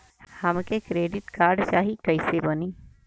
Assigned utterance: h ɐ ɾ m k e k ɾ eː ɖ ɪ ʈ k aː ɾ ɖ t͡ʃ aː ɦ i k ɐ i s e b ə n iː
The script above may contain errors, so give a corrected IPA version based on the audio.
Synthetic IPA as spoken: h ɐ m k e k ɾ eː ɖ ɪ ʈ k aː ɾ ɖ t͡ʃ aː ɦ i k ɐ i s e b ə n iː